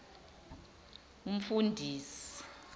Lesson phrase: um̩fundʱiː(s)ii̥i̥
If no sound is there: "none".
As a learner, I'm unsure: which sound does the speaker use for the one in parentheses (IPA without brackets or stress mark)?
s